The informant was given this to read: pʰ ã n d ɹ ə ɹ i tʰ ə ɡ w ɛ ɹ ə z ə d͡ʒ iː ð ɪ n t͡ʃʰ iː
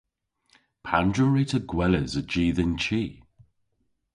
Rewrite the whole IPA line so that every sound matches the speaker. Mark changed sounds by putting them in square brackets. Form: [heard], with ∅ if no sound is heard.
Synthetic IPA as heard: pʰ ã n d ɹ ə ɹ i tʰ ə ɡ w ɛ [l] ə z ə d͡ʒ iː ð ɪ n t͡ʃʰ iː